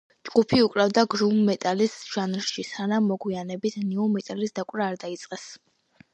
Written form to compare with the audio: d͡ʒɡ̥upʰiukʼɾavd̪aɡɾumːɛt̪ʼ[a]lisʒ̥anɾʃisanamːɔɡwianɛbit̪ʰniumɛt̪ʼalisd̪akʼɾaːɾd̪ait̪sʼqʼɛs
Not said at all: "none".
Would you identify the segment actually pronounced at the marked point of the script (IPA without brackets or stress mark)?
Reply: a